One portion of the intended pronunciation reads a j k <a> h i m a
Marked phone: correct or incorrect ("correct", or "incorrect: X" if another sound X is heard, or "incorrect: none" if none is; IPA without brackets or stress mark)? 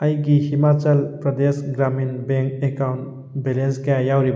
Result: incorrect: i